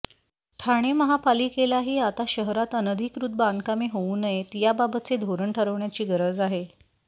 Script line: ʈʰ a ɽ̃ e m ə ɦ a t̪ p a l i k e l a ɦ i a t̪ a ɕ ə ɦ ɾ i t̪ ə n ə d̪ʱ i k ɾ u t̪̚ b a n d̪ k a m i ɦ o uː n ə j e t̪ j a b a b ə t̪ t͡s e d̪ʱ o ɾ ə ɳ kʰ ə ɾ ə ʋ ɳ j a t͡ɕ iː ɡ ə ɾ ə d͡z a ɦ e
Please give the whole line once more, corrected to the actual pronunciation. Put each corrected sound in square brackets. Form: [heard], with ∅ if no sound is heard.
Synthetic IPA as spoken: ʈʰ a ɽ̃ e m ə ɦ a [∅] p a l i k e l a ɦ [iː] a t̪ a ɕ ə ɦ ɾ [a] t̪ ə n ə d̪ʱ i k ɾ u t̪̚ b a n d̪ k a m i ɦ o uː n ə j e t̪ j a b a b ə t̪ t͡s e d̪ʱ o ɾ ə ɳ [ʈʰ] ə ɾ ə ʋ ɳ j a t͡ɕ iː ɡ ə ɾ ə d͡z a ɦ e